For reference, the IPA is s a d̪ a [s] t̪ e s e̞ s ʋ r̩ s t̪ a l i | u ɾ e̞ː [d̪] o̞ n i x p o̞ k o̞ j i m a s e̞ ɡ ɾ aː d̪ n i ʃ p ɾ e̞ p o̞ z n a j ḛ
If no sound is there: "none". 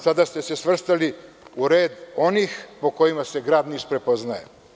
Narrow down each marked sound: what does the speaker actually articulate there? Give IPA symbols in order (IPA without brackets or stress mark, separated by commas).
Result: s, d̪